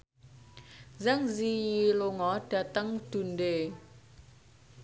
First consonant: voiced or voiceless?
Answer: voiced